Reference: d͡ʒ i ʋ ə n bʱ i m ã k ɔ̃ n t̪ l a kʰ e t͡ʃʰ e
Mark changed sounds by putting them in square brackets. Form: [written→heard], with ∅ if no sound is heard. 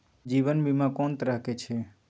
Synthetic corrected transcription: d͡ʒ i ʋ ə n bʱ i m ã k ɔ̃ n t̪ [l→ɾ] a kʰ e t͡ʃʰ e

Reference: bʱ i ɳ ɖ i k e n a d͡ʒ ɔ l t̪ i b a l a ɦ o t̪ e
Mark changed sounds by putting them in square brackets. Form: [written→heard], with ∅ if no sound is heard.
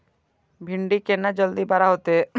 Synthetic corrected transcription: bʱ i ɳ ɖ i k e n a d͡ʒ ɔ l [t̪→d̪] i b a [l→ɾ] a ɦ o t̪ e

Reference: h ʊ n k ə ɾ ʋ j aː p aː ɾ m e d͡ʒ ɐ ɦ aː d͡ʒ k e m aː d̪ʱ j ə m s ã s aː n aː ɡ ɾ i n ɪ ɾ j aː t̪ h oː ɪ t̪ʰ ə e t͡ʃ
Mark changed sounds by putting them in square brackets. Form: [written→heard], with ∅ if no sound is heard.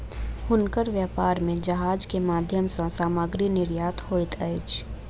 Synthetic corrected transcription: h ʊ n k ə ɾ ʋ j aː p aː ɾ m [e→ẽ] d͡ʒ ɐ ɦ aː d͡ʒ k e m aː d̪ʱ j ə m s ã s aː [n→m] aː ɡ ɾ i n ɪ ɾ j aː t̪ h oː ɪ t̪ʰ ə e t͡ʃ

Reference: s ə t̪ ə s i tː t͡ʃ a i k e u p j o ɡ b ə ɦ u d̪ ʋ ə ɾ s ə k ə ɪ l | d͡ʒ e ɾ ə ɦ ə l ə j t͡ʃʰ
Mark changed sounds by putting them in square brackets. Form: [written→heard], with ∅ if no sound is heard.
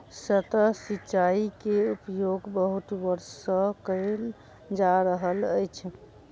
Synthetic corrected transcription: s ə t̪ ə s i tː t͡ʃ a i k e u p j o ɡ b ə ɦ u [d̪→t̪] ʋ ə ɾ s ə k ə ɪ l | d͡ʒ [e→a] ɾ ə ɦ ə l ə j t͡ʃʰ

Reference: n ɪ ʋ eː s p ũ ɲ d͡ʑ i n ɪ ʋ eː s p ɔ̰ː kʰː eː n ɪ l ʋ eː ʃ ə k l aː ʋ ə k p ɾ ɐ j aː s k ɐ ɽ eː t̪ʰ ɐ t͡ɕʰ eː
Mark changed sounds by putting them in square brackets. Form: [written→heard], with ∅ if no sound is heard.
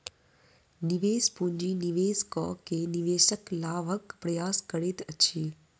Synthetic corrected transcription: n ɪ ʋ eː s p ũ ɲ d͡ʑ i n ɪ ʋ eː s [p→k] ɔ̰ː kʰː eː n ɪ [l→∅] ʋ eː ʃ ə k l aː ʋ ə k p ɾ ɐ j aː s k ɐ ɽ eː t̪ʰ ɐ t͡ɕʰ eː

